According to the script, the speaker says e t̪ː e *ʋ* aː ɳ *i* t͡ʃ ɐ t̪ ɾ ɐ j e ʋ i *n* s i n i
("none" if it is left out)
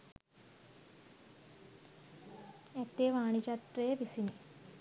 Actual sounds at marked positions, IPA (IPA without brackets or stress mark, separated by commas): ʋ, i, none